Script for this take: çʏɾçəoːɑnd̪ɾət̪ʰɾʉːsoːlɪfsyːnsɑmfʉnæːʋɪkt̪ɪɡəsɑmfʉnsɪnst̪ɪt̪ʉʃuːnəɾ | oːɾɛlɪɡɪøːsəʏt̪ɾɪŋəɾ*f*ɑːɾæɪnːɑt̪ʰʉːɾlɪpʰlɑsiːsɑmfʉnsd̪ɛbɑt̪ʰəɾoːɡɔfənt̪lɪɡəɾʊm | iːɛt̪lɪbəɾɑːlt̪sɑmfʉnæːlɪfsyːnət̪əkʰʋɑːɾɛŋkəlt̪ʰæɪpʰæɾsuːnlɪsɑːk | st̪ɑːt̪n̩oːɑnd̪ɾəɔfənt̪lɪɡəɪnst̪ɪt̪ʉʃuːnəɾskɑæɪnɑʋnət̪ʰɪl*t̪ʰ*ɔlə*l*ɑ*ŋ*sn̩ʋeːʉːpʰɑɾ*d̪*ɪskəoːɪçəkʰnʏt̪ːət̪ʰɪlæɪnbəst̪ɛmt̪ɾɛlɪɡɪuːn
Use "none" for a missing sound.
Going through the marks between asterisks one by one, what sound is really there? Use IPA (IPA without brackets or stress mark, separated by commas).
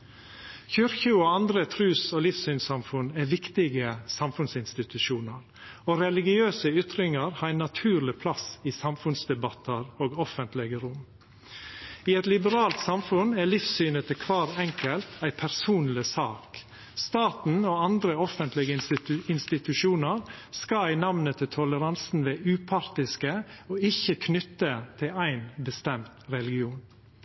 h, t̪ʰ, ɾ, n, t̪